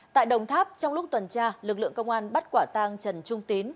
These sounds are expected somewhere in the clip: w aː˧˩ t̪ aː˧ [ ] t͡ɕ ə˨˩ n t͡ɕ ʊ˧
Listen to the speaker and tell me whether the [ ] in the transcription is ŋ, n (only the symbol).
ŋ